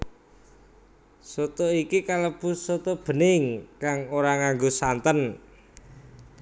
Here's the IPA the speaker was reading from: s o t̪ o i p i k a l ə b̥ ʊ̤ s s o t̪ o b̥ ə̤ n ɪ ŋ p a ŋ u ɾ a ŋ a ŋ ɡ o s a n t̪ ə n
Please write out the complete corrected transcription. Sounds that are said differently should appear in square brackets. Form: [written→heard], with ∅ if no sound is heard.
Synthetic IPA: s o t̪ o i [p→k] i k a l ə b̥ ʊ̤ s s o t̪ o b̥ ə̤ n ɪ ŋ [p→k] a ŋ [u→o] ɾ a ŋ a ŋ ɡ o s a n t̪ ə n